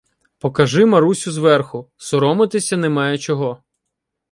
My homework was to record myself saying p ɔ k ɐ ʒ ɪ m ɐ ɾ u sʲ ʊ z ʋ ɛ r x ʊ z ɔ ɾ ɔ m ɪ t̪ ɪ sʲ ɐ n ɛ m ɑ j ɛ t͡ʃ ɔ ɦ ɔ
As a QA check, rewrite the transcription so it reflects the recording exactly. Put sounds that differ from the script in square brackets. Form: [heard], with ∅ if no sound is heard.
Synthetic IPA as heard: p ɔ k ɐ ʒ ɪ m ɐ ɾ u sʲ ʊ z ʋ ɛ r x ʊ [s] ɔ ɾ ɔ m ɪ t̪ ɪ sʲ ɐ n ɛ m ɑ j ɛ t͡ʃ ɔ ɦ ɔ

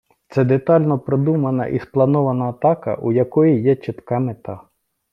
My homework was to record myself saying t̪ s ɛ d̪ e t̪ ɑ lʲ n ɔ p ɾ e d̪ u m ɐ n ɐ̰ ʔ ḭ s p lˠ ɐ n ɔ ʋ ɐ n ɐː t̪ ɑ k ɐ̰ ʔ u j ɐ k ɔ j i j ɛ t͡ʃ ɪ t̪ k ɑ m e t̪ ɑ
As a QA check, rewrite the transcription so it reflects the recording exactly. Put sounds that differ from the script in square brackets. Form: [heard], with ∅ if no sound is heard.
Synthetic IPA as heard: t̪ s ɛ d̪ e t̪ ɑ lʲ n ɔ p ɾ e d̪ u m ɐ n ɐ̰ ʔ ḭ s p lˠ ɐ n ɔ ʋ ɐ n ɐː t̪ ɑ k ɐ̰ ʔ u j ɐ k ɔ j i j ɛ t͡ʃ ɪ t̪ k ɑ m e t̪ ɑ

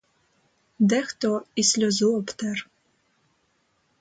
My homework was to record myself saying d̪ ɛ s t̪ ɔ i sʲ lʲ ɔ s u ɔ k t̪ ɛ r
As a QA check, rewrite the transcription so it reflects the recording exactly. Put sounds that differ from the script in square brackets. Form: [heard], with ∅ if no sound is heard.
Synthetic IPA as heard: d̪ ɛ [x] t̪ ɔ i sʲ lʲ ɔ [z] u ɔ [p] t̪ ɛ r

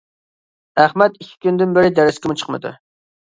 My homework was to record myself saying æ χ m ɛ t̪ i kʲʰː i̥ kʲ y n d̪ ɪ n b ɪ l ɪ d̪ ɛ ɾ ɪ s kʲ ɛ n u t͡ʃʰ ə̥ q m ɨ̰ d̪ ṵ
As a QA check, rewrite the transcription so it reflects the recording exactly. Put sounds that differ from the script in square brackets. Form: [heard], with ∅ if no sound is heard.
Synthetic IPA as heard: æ χ m ɛ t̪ i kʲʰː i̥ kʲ y n d̪ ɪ n b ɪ [ɾ] ɪ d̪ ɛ ɾ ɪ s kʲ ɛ [m] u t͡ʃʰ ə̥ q m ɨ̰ d̪ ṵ

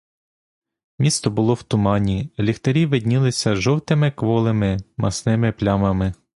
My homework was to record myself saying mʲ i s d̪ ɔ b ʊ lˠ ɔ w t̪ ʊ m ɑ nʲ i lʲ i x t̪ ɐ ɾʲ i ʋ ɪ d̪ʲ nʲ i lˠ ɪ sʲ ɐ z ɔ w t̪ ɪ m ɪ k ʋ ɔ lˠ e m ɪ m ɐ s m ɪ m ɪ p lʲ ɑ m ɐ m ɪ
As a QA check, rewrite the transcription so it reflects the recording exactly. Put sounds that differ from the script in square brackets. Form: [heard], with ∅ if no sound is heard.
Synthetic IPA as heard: mʲ i s [t̪] ɔ b ʊ lˠ ɔ w t̪ ʊ m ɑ nʲ i lʲ i x t̪ ɐ ɾʲ i ʋ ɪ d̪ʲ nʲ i lˠ ɪ sʲ ɐ [ʒ] ɔ w t̪ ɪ m ɪ k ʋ ɔ lˠ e m ɪ m ɐ s [n] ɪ m ɪ p lʲ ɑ m ɐ m ɪ

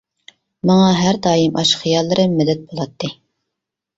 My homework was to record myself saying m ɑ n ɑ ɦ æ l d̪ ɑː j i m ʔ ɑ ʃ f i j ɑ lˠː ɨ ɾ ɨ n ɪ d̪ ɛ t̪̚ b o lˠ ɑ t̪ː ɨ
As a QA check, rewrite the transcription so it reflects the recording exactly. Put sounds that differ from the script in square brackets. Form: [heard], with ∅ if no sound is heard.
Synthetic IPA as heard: m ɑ [ŋ] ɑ ɦ æ [ɾ] d̪ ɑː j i m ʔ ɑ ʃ [χ] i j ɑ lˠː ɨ ɾ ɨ [m] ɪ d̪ ɛ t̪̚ b o lˠ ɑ t̪ː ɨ

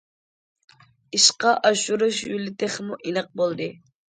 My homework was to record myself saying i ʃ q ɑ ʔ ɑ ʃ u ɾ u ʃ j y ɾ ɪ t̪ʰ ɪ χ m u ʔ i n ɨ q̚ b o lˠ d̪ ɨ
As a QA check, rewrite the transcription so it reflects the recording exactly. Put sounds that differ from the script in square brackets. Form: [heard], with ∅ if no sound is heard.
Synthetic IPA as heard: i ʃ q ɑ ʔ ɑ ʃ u ɾ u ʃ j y [l] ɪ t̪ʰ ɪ χ m u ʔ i n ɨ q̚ b o lˠ d̪ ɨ

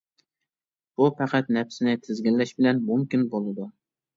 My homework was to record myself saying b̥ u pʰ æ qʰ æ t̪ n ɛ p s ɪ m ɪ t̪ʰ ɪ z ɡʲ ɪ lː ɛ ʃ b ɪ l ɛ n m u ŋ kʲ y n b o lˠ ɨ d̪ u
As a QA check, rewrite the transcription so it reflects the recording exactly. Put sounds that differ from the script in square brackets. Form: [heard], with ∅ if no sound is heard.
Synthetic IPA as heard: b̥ u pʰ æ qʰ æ t̪ n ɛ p s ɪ [n] ɪ t̪ʰ ɪ z ɡʲ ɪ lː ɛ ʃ b ɪ l ɛ n m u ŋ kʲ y n b o lˠ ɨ d̪ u

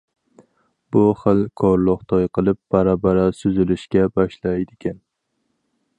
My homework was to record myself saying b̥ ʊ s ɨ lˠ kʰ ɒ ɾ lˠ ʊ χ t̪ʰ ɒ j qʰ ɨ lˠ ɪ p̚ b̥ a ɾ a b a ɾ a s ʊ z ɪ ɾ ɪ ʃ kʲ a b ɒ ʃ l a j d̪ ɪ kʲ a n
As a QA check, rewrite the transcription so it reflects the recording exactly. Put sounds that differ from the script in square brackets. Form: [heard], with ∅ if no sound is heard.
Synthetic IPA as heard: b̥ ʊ [χ] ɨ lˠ kʰ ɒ ɾ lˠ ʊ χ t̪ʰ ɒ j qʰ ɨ lˠ ɪ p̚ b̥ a ɾ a b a ɾ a s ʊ z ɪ [l] ɪ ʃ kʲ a b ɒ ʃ l a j d̪ ɪ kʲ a n

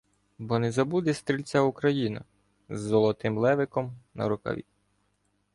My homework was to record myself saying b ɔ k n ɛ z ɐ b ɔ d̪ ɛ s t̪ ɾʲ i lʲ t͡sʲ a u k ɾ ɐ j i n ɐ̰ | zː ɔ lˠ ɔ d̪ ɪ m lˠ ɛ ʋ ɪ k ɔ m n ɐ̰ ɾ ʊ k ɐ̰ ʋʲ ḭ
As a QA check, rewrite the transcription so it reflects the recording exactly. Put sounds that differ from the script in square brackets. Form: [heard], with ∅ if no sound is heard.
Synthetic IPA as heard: b ɔ [∅] n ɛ z ɐ b [u] d̪ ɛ s t̪ ɾʲ i lʲ t͡sʲ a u k ɾ ɐ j i n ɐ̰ | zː ɔ lˠ ɔ [t̪] ɪ m lˠ ɛ ʋ ɪ k ɔ m n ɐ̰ ɾ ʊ k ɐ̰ ʋʲ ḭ

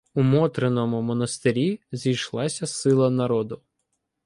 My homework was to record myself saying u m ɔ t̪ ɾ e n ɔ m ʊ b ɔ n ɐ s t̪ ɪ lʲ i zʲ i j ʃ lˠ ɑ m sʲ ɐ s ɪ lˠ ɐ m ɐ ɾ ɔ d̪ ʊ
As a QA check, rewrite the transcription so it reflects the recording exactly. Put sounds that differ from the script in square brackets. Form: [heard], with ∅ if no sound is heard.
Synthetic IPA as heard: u m ɔ t̪ ɾ e n ɔ m ʊ [m] ɔ n ɐ s t̪ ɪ [ɾʲ] i zʲ i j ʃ lˠ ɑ [∅] sʲ ɐ s ɪ lˠ ɐ [n] ɐ ɾ ɔ d̪ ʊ

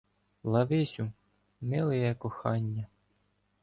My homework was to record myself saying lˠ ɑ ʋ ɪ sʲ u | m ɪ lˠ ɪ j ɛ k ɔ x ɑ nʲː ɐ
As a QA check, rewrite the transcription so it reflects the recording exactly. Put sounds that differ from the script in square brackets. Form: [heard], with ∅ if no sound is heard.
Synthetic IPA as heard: lˠ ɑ ʋ ɪ sʲ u | m ɪ lˠ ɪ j ɛ k ɔ x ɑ nʲː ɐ

